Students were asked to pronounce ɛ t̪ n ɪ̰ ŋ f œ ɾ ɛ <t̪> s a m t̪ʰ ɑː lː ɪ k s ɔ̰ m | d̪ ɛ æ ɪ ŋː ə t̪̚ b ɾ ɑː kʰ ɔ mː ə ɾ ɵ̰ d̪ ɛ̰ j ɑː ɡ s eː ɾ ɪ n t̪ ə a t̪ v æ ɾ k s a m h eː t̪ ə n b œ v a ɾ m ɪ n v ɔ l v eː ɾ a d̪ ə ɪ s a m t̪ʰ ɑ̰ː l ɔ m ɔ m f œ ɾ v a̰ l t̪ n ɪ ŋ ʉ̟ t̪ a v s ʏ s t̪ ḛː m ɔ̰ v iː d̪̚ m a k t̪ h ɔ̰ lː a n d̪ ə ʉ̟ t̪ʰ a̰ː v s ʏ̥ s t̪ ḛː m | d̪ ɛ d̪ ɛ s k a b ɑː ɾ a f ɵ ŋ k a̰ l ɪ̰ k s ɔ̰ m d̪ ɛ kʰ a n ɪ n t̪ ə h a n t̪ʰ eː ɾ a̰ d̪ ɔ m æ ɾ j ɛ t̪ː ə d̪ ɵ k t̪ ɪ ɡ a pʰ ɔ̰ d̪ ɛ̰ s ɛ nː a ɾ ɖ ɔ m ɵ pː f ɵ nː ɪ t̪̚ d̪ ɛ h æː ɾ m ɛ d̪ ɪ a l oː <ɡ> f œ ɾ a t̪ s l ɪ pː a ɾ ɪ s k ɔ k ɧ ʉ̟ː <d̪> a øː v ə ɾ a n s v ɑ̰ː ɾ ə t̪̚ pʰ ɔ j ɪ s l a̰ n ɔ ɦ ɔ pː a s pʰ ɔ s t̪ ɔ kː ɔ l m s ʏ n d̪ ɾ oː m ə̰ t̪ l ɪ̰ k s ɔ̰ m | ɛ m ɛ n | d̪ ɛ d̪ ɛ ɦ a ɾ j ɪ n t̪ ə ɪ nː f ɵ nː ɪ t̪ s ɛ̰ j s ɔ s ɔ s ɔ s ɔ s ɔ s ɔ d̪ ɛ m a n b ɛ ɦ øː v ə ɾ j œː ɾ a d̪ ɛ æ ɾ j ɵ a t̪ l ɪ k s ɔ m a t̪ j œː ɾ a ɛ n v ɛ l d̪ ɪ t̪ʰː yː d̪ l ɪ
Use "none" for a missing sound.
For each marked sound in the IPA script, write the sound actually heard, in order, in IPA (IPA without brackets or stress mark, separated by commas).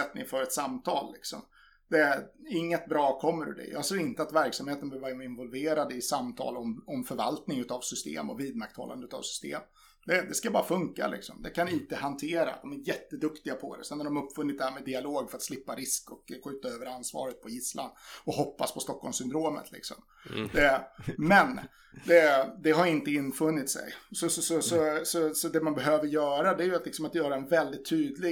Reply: t̪, ɡ, t̪